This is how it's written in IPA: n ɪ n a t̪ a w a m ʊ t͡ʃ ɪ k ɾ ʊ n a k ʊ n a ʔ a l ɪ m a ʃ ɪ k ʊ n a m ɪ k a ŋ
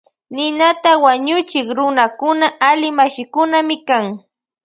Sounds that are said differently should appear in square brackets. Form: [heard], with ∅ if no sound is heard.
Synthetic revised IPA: n ɪ n a t̪ a w a [ɲ] ʊ t͡ʃ ɪ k ɾ ʊ n a k ʊ n a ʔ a l ɪ m a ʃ ɪ k ʊ n a m ɪ k a ŋ